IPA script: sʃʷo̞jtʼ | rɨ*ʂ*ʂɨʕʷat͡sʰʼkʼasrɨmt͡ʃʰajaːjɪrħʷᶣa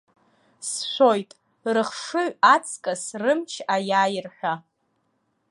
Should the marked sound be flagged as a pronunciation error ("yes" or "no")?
yes